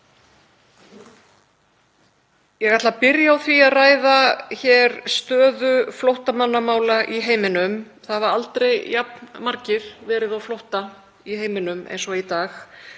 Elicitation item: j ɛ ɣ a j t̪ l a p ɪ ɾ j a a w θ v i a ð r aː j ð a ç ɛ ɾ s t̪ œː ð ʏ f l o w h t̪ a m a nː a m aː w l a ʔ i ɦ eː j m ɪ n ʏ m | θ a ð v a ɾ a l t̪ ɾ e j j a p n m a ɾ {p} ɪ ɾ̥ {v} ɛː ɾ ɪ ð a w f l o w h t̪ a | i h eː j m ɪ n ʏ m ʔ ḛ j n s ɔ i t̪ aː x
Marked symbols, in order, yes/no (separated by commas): no, yes